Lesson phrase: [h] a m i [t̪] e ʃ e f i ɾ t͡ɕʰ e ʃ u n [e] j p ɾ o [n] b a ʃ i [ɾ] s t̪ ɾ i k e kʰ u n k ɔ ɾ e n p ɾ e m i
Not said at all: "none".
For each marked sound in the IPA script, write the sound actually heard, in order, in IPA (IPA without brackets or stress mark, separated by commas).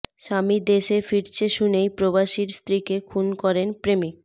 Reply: ʃ, d̪, e, none, ɾ